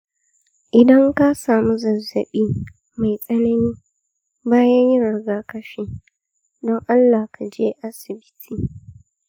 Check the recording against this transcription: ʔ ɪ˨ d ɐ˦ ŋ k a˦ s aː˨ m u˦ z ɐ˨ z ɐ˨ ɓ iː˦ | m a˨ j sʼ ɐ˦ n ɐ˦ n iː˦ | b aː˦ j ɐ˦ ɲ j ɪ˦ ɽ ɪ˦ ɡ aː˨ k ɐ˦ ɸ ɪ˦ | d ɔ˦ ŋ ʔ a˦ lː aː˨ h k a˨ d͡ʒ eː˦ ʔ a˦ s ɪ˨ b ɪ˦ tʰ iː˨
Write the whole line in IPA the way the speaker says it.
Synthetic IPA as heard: ʔ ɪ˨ d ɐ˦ ŋ k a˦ s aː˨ m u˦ z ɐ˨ z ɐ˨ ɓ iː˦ | m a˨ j sʼ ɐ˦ n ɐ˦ n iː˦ | b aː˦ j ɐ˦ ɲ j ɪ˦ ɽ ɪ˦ ɡ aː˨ k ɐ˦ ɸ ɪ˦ | d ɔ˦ ŋ ʔ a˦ lː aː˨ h k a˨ d͡ʒ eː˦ ʔ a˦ s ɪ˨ b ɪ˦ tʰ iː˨